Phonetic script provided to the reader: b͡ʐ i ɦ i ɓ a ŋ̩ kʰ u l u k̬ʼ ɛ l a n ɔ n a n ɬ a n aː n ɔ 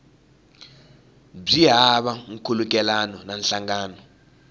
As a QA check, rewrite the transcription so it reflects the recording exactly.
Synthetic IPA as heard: b͡ʐ i ɦ a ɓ a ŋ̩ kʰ u l u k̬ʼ ɛ l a n ɔ n a n ɬ a ŋ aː n ɔ